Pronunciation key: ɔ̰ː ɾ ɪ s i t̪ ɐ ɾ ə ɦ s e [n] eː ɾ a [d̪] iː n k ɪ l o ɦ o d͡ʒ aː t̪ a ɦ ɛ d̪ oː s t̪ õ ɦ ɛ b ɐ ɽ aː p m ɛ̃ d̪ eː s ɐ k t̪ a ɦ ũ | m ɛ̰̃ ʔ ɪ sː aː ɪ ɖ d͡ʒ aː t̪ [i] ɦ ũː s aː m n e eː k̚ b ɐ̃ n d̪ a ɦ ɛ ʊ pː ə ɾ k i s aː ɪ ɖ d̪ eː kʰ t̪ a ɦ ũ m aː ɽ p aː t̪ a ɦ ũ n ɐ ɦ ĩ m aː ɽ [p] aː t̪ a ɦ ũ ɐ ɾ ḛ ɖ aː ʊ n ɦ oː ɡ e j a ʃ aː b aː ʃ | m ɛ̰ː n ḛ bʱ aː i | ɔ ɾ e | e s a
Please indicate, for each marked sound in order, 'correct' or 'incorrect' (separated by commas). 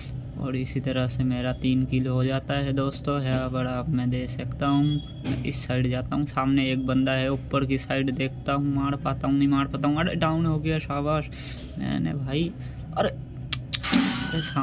incorrect, incorrect, incorrect, correct